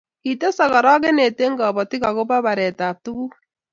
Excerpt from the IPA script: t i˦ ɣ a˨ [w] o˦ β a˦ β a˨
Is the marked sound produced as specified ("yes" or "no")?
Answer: no